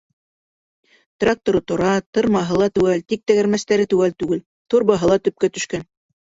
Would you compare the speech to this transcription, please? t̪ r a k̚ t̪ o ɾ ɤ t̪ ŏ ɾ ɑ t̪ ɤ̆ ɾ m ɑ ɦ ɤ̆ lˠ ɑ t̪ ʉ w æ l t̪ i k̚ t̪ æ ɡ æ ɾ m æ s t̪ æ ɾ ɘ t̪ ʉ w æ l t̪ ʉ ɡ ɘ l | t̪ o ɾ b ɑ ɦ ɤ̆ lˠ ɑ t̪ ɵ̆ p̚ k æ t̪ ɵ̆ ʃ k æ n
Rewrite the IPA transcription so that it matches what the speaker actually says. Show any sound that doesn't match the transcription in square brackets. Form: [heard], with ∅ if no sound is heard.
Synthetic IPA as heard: t̪ r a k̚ t̪ o ɾ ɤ t̪ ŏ ɾ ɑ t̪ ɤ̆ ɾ m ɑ ɦ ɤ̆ lˠ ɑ t̪ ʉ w æ l t̪ i k̚ t̪ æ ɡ æ ɾ m æ s t̪ æ ɾ ɘ t̪ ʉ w æ l t̪ ʉ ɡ ɘ l | t̪ o ɾ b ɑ ɦ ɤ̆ lˠ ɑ t̪ ɵ̆ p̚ k æ t̪ ɵ̆ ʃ k æ n

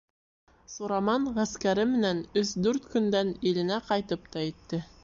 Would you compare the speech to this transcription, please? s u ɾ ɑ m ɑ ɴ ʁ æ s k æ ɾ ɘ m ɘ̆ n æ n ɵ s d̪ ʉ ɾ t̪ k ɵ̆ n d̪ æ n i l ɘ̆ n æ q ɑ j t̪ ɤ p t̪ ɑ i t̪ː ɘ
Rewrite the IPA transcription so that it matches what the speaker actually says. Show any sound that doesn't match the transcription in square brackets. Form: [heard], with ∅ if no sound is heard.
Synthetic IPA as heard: s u ɾ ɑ m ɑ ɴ ʁ æ s k æ ɾ ɘ m ɘ̆ n æ n ɵ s d̪ ʉ ɾ t̪ k ɵ̆ n d̪ æ n i l ɘ̆ n æ q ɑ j t̪ ɤ p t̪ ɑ i t̪ː ɘ

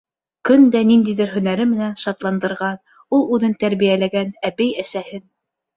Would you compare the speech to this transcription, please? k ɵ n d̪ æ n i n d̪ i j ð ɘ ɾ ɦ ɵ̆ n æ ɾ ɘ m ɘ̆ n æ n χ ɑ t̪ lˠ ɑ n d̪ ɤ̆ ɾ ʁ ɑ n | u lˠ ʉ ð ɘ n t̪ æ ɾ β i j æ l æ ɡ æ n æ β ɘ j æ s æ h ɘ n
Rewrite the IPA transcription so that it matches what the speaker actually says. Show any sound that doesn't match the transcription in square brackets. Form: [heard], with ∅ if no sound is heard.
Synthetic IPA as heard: k ɵ n d̪ æ n i n d̪ i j ð ɘ ɾ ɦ ɵ̆ n æ ɾ ɘ m ɘ̆ n æ n [ʃ] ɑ t̪ lˠ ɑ n d̪ ɤ̆ ɾ ʁ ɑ n | u lˠ ʉ ð ɘ n t̪ æ ɾ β i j æ l æ ɡ æ n æ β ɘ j æ s æ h ɘ n

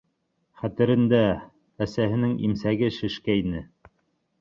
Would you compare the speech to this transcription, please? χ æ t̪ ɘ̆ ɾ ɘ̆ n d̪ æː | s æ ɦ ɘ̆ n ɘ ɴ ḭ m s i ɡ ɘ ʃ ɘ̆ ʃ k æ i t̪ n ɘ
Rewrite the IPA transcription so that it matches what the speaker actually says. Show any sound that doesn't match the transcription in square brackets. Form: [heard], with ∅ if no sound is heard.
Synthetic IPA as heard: χ æ t̪ ɘ̆ ɾ ɘ̆ n d̪ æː | s æ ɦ ɘ̆ n ɘ [ŋ] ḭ m s [æ] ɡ ɘ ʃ ɘ̆ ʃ k æ i [∅] n ɘ

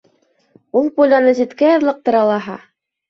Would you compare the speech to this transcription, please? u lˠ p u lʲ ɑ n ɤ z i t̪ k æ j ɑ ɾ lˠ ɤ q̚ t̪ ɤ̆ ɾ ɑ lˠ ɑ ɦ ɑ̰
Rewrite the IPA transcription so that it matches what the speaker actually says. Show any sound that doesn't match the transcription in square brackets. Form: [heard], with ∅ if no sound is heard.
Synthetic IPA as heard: u lˠ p u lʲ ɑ n ɤ z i t̪ k æ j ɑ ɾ lˠ ɤ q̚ t̪ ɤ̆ ɾ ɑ lˠ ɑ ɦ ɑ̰

